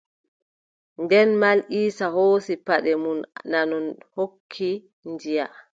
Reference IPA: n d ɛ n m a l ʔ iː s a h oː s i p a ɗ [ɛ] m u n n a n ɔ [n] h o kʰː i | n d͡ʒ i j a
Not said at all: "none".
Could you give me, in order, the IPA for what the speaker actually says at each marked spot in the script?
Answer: ɛ, n

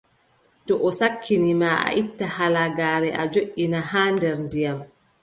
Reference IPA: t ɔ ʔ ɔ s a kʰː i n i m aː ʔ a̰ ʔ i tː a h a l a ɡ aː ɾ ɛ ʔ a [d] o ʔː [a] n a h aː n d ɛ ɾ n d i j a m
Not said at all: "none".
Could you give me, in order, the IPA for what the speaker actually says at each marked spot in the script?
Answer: d͡ʒ, i

